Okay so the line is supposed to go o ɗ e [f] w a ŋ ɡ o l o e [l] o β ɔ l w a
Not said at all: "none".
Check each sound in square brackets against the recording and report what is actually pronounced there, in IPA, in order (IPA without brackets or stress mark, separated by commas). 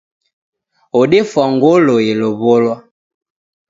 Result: f, l